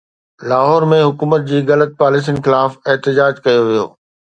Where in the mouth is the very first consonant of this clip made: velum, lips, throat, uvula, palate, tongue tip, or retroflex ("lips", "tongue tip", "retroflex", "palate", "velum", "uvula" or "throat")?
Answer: tongue tip